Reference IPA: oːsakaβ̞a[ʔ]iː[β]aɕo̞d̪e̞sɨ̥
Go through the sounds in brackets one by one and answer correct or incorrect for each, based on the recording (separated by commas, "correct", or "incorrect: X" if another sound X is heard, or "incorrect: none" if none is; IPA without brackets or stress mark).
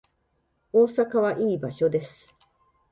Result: correct, incorrect: b